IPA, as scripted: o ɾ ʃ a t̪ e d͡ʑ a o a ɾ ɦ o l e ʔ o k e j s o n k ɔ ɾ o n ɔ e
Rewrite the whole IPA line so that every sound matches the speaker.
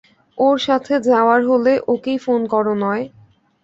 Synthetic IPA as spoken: o ɾ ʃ a t̪ʰ e d͡ʑ a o a ɾ ɦ o l e ʔ o k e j f o n k ɔ ɾ o n ɔ e